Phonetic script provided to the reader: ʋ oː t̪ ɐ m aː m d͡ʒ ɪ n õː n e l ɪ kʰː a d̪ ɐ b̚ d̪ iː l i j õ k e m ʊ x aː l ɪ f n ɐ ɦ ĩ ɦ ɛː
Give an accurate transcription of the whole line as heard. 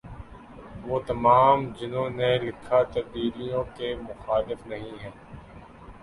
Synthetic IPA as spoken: ʋ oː t̪ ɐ m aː m d͡ʒ ɪ n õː n e l ɪ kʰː a t̪ ɐ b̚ d̪ iː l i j õ k e m ʊ x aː l ɪ f n ɐ ɦ ĩ ɦ ɛː